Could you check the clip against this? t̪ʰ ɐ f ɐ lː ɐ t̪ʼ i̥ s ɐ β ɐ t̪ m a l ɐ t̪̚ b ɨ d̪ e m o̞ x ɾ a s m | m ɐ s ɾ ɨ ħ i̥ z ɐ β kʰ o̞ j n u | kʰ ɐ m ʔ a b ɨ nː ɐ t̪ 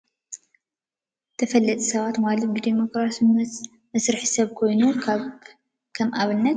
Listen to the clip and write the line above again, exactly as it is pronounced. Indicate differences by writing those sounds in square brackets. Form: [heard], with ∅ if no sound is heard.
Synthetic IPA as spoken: t̪ʰ ɐ f ɐ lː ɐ t̪ʼ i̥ s ɐ β [a] t̪ m a l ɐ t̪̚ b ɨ d̪ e m o̞ [k] ɾ a s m | m ɐ s ɾ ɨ ħ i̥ [s] ɐ β kʰ o̞ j n u | kʰ ɐ m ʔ a [β] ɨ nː ɐ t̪